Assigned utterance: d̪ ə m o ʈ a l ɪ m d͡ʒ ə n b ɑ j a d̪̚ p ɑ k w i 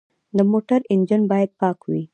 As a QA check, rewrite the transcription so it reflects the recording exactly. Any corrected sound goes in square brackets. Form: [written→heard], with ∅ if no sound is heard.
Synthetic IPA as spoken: d̪ ə m o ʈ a [l→ɾ] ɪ [m→n] d͡ʒ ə n b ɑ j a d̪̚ p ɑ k w i